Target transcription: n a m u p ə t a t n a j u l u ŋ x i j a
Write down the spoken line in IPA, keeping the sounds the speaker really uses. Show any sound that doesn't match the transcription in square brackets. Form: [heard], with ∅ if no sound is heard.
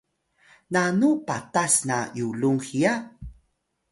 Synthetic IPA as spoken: n a [n] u p [a] t a [s] n a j u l u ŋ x i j a